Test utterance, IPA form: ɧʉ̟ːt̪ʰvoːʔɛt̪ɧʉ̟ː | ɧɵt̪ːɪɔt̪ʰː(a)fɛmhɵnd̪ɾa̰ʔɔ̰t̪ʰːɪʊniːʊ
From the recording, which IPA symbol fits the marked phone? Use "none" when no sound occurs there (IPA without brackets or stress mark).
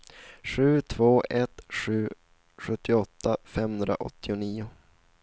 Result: a